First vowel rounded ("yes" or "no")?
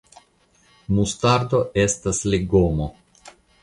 yes